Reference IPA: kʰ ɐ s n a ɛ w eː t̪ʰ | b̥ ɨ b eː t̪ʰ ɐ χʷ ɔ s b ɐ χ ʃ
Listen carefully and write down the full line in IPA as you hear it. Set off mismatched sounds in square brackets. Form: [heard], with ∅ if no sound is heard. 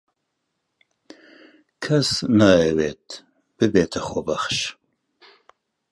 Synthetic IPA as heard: kʰ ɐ s n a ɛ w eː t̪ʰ | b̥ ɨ b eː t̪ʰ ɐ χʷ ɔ [∅] b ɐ χ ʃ

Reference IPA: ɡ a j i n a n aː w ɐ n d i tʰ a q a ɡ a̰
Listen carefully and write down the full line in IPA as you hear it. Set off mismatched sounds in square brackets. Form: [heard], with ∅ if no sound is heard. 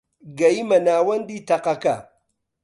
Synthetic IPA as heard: ɡ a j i [m] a n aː w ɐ n d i [t] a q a [k] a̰

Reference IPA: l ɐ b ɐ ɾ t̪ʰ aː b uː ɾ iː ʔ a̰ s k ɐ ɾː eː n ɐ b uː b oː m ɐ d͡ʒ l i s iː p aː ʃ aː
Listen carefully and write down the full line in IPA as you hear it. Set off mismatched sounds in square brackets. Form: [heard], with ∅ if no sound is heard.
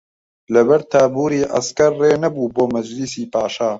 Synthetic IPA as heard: l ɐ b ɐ ɾ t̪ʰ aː b uː ɾ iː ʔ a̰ s k ɐ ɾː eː n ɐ b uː b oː m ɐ d͡ʒ l i s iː p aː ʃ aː

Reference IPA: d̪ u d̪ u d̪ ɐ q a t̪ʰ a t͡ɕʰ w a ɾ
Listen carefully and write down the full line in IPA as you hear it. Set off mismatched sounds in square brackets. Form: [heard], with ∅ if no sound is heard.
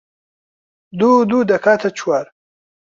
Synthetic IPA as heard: d̪ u d̪ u d̪ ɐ [k] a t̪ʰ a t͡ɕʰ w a ɾ

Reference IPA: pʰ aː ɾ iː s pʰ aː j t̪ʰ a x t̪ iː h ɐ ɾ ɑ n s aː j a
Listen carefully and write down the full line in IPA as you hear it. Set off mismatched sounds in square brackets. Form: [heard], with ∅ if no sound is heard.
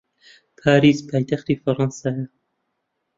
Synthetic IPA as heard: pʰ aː ɾ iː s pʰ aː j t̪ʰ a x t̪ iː [f] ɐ ɾ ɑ n s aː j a

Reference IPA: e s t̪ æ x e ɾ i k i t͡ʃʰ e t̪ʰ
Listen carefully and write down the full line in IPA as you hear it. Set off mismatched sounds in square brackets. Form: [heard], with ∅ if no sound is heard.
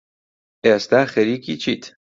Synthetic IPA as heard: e s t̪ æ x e ɾ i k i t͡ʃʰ [i] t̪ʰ

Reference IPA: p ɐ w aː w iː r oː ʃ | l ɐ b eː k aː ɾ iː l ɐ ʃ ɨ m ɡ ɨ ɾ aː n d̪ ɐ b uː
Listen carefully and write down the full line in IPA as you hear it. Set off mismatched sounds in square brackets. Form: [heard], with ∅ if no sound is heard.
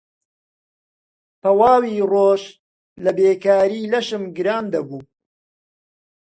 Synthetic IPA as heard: p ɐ w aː w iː r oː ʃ | l ɐ b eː k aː ɾ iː l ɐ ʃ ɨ m ɡ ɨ ɾ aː n d̪ ɐ b uː

